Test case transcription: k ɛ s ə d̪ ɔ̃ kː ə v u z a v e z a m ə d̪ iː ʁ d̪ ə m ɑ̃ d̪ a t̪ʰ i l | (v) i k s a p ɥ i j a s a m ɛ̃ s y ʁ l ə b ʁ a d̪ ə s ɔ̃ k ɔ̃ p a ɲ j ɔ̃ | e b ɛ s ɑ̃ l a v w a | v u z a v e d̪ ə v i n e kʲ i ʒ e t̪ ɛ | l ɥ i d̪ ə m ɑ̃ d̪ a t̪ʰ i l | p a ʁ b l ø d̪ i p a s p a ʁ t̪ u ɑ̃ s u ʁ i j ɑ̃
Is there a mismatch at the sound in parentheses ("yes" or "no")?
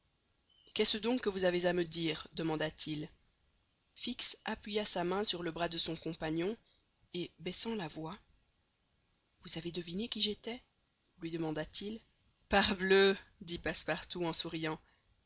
yes